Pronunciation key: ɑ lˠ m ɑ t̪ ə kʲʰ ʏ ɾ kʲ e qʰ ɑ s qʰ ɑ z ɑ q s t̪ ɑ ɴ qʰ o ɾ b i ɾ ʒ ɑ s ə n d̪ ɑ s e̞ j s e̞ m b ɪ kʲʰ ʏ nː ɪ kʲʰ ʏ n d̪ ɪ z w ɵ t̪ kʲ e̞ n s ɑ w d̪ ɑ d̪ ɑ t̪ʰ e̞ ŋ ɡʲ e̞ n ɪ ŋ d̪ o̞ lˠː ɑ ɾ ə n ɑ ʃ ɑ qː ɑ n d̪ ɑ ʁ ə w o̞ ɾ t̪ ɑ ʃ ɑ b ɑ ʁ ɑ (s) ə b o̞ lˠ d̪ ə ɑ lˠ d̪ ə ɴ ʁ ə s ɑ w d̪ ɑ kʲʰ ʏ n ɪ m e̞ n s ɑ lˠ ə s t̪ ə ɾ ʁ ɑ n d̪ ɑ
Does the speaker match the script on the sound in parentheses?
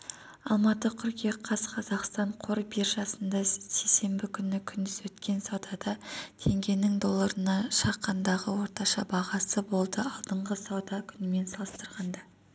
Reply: yes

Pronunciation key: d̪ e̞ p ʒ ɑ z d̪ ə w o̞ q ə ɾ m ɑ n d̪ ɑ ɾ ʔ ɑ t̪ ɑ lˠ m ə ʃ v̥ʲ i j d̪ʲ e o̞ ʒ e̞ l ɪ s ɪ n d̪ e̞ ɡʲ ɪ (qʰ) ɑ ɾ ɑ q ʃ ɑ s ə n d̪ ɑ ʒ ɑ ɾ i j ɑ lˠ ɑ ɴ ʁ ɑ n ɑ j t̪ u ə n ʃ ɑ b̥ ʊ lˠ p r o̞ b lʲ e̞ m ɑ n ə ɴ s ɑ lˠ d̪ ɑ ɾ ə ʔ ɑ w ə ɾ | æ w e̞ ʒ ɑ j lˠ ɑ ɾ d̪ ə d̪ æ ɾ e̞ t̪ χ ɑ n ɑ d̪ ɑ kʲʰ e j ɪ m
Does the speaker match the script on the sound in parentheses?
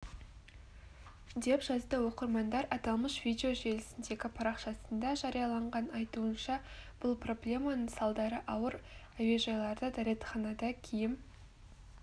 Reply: no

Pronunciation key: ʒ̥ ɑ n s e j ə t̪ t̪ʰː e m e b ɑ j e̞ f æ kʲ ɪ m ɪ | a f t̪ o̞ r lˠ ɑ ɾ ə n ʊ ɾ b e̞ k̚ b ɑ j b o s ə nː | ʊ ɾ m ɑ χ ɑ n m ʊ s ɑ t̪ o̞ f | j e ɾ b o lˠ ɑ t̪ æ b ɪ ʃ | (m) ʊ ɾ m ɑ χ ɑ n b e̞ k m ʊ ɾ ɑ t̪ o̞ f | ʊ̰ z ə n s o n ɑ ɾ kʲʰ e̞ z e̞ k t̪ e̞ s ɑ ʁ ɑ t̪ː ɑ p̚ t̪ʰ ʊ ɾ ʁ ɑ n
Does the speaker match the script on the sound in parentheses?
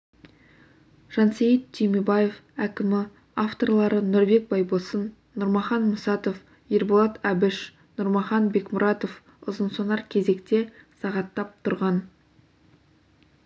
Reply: no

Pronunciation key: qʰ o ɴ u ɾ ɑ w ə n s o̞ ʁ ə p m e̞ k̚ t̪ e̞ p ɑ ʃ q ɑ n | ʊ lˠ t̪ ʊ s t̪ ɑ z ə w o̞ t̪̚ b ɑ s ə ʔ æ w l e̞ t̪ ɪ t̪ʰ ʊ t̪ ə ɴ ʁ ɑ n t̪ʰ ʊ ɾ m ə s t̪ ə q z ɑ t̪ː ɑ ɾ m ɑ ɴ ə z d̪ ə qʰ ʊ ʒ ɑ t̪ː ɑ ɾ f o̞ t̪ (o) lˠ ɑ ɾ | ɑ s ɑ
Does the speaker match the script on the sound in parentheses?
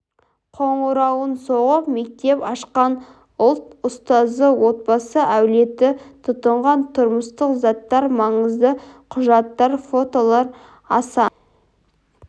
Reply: yes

